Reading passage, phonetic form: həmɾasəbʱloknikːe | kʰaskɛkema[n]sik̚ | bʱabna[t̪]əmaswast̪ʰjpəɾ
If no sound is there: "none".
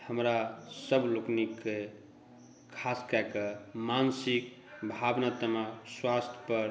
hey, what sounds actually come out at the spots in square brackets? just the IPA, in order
n, t̪

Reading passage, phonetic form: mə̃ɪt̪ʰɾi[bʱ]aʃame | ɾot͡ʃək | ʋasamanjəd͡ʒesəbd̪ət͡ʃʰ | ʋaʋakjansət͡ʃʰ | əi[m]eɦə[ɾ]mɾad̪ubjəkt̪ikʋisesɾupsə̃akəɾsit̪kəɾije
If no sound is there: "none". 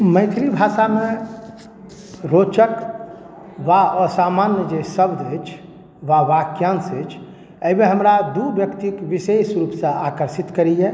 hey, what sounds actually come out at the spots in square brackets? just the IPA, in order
bʱ, m, none

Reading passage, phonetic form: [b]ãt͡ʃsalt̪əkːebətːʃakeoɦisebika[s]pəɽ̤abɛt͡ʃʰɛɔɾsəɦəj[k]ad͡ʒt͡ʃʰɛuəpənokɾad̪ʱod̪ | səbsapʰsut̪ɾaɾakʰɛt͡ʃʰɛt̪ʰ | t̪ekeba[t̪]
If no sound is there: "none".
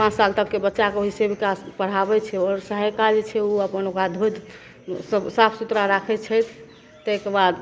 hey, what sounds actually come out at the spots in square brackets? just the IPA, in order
p, s, k, d̪

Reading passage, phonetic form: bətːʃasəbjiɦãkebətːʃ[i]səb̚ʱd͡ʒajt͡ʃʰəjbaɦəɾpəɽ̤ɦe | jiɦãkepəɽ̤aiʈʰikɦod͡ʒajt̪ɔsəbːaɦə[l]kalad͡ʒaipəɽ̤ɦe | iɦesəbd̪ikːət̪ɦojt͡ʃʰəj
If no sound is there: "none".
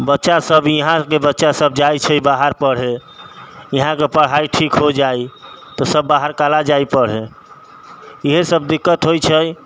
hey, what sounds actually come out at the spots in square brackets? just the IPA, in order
a, ɾ

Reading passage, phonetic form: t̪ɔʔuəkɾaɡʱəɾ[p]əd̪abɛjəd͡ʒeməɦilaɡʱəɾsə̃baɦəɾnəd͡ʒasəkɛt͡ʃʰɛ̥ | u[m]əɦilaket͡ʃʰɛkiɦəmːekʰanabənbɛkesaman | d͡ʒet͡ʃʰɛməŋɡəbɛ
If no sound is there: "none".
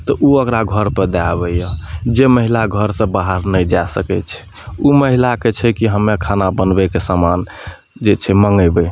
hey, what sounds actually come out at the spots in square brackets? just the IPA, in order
p, m

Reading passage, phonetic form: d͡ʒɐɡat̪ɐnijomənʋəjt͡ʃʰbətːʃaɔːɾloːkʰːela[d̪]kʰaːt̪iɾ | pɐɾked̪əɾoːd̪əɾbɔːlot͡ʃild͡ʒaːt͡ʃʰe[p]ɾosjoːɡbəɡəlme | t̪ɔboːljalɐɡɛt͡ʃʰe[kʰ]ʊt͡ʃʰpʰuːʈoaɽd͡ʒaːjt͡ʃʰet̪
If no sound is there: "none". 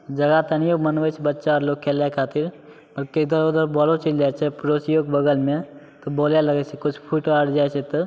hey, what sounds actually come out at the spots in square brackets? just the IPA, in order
none, p, k

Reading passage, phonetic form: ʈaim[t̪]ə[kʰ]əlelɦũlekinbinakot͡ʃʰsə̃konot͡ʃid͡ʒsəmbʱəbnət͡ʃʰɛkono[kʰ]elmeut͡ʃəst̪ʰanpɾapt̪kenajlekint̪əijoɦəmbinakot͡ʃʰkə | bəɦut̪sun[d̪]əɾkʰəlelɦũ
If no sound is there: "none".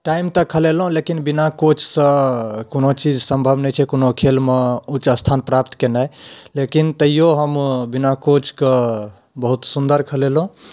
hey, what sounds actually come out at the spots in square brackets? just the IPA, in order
t̪, kʰ, kʰ, d̪

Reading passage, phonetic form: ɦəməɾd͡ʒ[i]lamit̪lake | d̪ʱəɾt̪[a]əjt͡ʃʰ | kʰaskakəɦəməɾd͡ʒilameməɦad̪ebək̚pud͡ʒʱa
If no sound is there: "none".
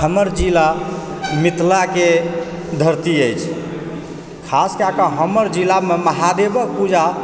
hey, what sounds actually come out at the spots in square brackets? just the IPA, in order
i, i

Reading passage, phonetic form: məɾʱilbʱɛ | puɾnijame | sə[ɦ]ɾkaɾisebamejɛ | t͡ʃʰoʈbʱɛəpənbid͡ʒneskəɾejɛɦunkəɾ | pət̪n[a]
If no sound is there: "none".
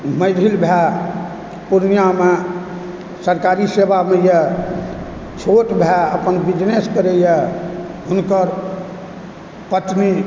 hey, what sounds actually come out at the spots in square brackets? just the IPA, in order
none, i

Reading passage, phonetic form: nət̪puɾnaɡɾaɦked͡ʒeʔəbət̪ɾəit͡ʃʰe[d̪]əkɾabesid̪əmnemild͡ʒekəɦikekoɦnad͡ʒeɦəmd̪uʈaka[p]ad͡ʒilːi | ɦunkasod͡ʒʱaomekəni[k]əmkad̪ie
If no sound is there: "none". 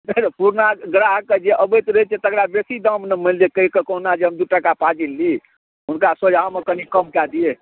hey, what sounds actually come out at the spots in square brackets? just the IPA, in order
t̪, p, k

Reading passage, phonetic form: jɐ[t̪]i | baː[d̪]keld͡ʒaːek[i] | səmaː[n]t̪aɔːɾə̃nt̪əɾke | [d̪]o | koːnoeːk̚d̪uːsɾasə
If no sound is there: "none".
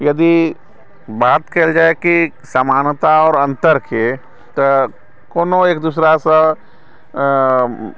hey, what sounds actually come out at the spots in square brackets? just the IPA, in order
d̪, t̪, i, n, t̪

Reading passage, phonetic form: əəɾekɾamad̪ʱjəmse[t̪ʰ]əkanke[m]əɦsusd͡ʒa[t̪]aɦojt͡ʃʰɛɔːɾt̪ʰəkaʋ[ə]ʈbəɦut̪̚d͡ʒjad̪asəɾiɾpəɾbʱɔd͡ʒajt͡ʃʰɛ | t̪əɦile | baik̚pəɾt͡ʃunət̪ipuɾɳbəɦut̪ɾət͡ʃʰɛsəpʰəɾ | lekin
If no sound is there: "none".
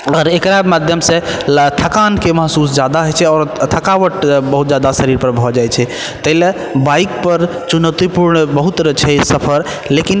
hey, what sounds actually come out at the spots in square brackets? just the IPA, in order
t̪ʰ, m, d̪, ə

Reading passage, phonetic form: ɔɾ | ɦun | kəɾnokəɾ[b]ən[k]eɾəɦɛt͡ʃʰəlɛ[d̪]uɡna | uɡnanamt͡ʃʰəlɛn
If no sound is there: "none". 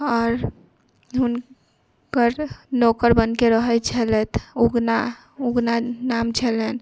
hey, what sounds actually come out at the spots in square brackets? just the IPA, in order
b, k, t̪

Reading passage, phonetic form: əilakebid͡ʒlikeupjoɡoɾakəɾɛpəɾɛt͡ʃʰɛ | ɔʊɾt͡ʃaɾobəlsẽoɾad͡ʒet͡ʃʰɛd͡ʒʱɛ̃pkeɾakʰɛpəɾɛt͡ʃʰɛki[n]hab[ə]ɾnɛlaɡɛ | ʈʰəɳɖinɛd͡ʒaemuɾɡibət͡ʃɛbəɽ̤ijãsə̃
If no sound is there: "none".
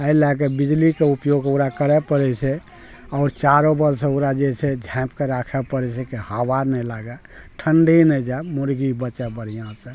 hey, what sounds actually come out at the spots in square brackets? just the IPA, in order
none, a

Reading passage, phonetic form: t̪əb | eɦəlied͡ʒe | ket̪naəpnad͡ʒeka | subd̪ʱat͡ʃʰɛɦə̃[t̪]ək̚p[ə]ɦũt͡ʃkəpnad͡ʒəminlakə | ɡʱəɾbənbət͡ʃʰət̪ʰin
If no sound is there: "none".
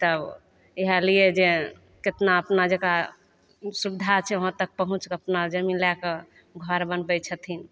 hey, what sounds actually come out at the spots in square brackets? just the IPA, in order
t̪, ə

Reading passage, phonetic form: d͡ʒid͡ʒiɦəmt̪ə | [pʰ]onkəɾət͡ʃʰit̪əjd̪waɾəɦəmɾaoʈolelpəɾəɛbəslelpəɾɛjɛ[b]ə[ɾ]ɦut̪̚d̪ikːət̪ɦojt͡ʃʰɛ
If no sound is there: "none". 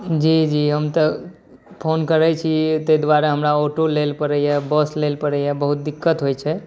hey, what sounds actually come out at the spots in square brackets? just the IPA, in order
pʰ, b, none

